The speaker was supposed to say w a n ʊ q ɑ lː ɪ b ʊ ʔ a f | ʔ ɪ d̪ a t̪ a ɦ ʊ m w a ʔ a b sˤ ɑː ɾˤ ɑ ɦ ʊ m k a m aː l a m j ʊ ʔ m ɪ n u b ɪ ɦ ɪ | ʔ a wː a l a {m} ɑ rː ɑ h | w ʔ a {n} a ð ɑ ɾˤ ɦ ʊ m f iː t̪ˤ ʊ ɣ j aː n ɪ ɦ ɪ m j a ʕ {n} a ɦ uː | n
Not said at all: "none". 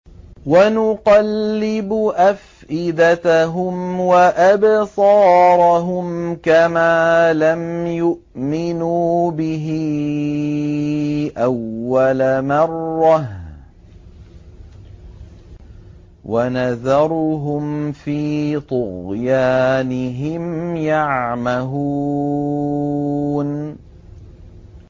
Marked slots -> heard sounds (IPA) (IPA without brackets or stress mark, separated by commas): m, n, m